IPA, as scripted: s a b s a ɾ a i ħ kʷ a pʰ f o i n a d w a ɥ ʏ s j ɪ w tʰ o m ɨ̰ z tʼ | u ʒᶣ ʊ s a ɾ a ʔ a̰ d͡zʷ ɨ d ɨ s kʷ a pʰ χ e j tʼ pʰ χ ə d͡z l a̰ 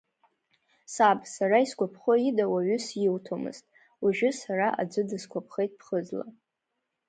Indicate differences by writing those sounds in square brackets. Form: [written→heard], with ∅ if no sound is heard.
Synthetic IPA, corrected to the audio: s a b s a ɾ a i [ħ→s] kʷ a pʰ [f→χ] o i [n→d] a [d→∅] w a ɥ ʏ s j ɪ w tʰ o m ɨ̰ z tʼ | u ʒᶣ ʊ s a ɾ a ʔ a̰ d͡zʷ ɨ d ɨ s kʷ a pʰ χ e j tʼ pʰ χ ə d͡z l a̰